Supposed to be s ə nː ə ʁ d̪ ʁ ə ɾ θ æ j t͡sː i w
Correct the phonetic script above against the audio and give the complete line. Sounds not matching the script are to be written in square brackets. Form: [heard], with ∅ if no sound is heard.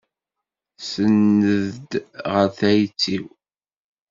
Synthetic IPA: s ə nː ə [ð] d̪ ʁ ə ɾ θ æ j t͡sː i w